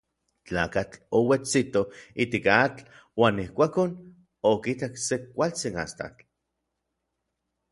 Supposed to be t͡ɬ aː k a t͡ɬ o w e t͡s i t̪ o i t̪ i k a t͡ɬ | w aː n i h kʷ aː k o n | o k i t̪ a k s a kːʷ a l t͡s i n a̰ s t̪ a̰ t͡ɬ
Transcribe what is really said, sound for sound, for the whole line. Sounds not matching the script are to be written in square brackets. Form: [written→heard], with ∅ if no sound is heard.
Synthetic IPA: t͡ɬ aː k a t͡ɬ o w e t͡s i t̪ o i t̪ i k a t͡ɬ | w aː n i h kʷ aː k o n | o k i t̪ a k s [a→e] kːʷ a l t͡s i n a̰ s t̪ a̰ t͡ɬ